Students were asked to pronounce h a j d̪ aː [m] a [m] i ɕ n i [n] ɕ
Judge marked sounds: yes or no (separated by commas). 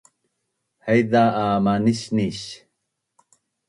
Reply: yes, no, no